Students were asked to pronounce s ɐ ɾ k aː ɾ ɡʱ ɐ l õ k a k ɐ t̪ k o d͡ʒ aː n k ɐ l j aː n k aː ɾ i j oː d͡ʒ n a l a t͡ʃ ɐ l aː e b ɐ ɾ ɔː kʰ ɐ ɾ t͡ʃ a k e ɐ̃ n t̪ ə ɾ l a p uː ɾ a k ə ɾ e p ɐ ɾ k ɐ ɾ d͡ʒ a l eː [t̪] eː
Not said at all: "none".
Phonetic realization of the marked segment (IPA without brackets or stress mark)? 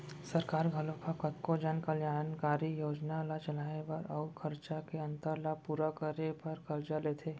t̪ʰ